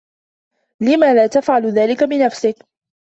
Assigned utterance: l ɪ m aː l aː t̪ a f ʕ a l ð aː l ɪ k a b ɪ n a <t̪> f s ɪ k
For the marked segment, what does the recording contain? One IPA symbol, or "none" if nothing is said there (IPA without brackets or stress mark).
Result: none